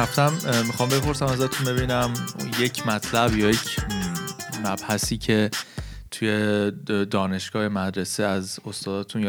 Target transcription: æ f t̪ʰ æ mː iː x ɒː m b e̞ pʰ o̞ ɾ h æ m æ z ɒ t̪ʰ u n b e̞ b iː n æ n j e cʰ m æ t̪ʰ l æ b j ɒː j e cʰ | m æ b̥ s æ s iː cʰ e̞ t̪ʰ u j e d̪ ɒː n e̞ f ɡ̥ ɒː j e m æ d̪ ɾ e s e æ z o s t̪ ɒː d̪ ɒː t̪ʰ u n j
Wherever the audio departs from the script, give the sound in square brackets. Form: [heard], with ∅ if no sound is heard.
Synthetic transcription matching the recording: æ f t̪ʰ æ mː [i] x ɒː m b e̞ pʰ o̞ ɾ [s] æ m æ z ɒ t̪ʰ u n b e̞ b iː n æ [m] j e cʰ m æ t̪ʰ l æ b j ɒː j e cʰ | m æ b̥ [h] æ s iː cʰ e̞ t̪ʰ u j e d̪ ɒː n e̞ [ʃ] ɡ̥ ɒː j e m æ d̪ ɾ e s e æ z o s t̪ ɒː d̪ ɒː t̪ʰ u n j